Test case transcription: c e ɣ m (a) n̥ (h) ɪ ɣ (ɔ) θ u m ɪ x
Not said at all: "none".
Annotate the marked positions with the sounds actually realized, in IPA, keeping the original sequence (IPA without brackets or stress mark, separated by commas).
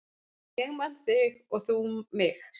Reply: a, θ, ɔ